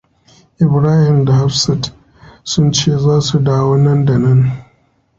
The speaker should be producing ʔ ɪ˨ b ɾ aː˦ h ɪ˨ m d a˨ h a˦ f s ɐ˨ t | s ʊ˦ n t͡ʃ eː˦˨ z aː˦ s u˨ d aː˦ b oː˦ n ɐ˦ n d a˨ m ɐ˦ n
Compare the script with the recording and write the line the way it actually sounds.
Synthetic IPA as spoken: ʔ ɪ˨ b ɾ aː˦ h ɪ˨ m d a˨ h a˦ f s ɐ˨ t | s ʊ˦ n t͡ʃ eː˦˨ z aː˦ s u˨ d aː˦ w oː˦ n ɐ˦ n d a˨ n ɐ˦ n